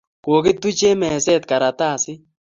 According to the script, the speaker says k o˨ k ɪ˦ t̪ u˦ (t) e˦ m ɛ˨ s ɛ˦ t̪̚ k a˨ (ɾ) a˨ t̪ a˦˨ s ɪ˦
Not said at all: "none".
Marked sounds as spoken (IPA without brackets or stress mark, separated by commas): t͡ʃ, ɾ